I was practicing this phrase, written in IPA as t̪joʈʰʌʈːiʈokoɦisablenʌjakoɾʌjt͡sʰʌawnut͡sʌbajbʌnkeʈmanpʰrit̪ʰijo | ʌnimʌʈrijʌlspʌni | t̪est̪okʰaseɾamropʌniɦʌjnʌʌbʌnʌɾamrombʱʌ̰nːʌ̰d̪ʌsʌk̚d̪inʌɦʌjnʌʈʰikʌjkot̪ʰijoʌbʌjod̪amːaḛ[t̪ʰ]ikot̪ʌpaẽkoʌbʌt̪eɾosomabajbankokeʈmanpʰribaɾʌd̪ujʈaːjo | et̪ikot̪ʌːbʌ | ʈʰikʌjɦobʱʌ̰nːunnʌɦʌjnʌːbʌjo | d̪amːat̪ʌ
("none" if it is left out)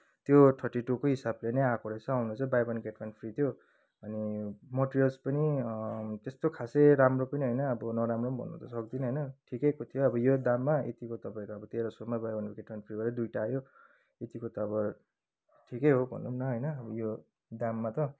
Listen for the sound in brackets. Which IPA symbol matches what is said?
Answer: t̪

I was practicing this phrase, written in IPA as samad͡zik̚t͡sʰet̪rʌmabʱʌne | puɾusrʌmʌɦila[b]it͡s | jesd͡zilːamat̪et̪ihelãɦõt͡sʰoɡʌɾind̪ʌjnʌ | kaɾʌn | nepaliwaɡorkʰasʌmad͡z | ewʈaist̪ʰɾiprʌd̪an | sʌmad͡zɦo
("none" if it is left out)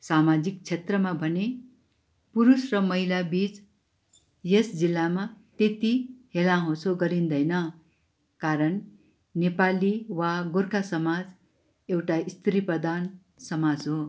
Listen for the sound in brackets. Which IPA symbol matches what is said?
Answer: b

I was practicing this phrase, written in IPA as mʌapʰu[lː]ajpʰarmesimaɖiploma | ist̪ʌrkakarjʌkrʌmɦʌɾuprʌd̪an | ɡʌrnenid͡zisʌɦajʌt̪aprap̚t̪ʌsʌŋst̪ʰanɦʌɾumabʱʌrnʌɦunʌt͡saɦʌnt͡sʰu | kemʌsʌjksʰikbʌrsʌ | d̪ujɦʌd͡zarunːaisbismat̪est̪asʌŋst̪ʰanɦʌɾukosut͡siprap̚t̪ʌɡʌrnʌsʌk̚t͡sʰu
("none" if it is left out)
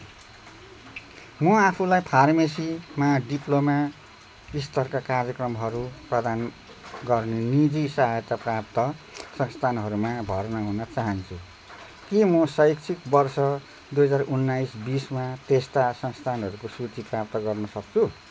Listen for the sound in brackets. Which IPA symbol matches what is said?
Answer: l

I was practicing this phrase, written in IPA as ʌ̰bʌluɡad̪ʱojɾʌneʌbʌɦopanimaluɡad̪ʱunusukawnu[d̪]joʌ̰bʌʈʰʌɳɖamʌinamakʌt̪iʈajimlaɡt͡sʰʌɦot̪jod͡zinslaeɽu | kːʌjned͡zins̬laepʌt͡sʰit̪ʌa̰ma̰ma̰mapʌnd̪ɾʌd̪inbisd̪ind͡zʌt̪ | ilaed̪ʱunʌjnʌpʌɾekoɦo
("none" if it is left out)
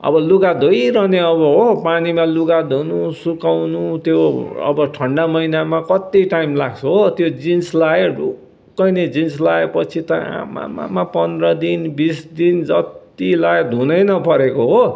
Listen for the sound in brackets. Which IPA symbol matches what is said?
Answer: t̪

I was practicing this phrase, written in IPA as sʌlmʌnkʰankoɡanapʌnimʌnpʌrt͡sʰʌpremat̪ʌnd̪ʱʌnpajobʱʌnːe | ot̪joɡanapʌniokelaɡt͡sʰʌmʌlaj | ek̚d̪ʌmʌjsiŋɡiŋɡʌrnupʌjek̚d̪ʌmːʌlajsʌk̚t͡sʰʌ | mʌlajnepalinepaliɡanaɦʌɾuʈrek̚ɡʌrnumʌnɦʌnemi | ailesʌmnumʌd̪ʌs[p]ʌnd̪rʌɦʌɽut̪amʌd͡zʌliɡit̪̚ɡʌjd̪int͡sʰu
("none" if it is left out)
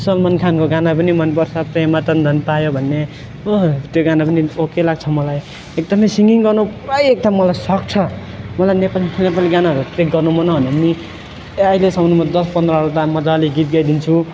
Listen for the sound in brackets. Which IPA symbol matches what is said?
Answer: p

